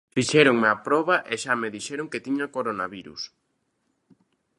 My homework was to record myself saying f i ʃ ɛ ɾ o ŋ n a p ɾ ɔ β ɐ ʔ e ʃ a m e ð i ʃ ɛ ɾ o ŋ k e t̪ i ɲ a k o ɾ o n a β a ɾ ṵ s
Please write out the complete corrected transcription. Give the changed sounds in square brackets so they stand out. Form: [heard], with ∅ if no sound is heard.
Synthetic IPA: f i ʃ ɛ ɾ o ŋ [m] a p ɾ ɔ β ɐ ʔ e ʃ a m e ð i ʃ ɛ ɾ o ŋ k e t̪ i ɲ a k o ɾ o n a β [i] ɾ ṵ s